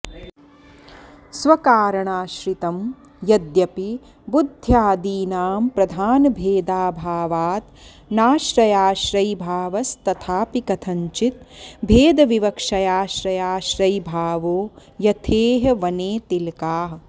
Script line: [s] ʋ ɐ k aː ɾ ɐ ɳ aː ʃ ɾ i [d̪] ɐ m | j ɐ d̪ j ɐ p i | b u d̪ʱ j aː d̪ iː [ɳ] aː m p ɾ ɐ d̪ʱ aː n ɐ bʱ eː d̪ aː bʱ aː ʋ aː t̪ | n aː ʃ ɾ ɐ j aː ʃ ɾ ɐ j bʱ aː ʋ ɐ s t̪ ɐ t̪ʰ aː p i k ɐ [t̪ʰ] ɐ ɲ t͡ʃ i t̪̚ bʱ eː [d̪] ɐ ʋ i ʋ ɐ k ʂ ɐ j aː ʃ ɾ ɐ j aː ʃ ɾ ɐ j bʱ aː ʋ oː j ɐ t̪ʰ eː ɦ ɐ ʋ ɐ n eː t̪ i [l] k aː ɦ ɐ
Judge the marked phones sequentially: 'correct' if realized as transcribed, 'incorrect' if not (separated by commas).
correct, incorrect, incorrect, correct, correct, correct